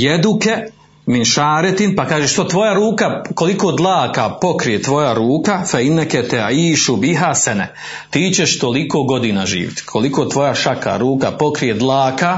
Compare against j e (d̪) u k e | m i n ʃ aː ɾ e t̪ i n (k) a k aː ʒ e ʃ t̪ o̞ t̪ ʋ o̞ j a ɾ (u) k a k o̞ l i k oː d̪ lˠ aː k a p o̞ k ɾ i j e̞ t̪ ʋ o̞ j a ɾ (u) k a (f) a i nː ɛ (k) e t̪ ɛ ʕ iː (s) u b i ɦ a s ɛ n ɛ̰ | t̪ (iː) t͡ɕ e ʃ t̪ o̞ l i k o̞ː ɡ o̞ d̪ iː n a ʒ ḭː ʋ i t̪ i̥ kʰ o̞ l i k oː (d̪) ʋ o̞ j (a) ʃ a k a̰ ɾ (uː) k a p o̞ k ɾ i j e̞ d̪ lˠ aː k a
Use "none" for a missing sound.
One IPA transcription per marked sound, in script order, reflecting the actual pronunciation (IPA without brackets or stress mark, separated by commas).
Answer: d̪, p, uː, uː, f, k, ʃ, iː, t̪, a, uː